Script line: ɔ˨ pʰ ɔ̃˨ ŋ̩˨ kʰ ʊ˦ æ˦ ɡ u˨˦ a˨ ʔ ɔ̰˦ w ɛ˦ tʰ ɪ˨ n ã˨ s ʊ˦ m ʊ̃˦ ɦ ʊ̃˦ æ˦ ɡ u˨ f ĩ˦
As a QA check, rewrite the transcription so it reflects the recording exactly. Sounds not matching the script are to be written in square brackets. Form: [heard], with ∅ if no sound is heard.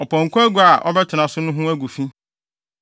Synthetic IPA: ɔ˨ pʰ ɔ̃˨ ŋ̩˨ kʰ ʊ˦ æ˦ ɡ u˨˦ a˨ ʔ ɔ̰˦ [b] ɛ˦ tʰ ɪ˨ n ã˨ s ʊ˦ [n] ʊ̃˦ ɦ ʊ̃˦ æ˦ ɡ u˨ f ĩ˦